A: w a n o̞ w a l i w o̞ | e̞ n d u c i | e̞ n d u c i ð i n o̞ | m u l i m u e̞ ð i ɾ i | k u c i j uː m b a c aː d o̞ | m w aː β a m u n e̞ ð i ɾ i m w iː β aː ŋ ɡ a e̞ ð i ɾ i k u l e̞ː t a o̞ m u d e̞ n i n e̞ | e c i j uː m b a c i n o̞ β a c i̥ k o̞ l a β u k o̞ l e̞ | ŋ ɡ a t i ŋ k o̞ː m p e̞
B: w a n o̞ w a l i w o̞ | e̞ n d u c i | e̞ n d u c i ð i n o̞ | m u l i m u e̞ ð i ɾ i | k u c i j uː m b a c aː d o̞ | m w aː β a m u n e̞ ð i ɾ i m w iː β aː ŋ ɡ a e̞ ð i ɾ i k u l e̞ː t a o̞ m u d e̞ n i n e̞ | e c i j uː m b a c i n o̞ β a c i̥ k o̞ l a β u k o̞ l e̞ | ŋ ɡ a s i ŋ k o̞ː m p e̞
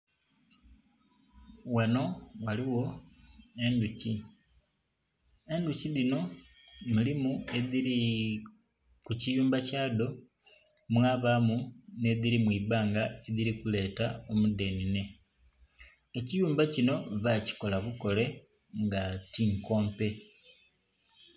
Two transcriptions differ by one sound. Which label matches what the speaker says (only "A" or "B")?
A